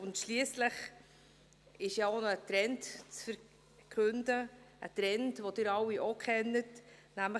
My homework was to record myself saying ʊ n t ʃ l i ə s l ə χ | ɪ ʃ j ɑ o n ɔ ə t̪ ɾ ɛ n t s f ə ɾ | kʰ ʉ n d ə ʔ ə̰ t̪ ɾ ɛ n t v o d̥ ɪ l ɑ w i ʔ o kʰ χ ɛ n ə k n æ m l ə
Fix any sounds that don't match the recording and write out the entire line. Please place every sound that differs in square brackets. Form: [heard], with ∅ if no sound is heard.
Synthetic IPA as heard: ʊ n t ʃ l i ə s l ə χ | ɪ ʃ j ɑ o n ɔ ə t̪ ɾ ɛ n t [t͡s] f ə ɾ | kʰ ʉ n d ə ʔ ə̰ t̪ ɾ ɛ n t v o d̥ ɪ [ɾ] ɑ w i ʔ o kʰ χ ɛ n ə [t] n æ m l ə